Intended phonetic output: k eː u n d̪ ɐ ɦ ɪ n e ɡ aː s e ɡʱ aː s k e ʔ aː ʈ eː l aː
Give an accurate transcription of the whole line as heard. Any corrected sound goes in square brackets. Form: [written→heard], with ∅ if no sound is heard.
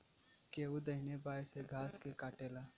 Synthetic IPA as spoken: k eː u [n→∅] d̪ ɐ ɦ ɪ n e [ɡ→b] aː s e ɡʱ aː s k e [ʔ→k] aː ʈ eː l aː